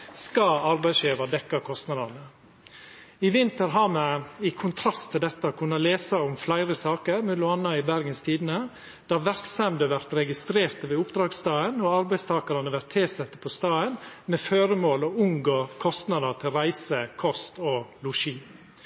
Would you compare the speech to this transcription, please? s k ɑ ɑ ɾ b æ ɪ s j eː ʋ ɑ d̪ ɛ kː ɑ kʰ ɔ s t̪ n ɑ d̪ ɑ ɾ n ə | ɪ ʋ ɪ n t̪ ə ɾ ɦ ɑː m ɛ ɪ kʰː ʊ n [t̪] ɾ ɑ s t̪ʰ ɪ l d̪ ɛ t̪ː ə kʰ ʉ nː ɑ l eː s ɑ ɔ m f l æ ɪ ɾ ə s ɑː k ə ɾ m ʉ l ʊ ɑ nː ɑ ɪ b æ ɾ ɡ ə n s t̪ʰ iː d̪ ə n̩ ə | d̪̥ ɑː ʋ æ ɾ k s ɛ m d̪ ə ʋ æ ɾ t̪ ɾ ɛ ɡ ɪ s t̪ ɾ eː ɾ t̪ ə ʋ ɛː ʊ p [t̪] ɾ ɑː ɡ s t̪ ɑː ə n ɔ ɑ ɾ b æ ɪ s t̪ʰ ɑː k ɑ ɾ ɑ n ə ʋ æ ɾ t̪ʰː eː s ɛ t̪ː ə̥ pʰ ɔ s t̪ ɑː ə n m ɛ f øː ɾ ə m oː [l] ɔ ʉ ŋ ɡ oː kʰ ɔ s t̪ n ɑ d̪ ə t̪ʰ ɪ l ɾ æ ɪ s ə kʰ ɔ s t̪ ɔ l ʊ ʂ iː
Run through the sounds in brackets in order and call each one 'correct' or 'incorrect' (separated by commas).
incorrect, incorrect, correct